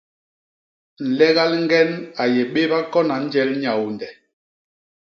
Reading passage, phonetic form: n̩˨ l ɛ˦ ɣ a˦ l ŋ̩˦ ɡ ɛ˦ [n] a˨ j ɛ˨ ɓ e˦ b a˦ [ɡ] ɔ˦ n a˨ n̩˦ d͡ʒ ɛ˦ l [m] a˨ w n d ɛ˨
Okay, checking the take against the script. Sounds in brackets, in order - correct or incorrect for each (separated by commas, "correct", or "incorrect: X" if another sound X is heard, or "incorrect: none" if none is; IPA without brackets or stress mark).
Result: correct, incorrect: k, incorrect: ɲ